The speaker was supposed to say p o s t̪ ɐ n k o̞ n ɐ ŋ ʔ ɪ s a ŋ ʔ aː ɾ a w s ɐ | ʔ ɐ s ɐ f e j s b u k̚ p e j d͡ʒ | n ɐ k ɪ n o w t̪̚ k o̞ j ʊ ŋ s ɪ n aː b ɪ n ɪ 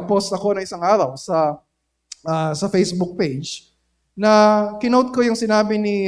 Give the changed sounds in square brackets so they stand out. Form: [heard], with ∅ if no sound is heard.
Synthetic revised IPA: p o s t̪ ɐ [∅] k o̞ n ɐ ŋ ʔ ɪ s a ŋ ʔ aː ɾ [ɐ] w s ɐ | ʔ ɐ s ɐ f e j s b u k̚ p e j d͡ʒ | n ɐ k ɪ n o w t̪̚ k o̞ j ʊ ŋ s ɪ n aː b ɪ n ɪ